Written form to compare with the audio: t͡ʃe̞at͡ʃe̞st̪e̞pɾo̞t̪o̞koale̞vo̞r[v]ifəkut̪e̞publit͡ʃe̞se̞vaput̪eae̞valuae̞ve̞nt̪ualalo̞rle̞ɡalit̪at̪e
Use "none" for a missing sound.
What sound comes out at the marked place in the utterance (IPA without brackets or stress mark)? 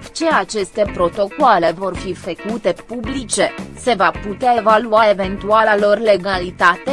f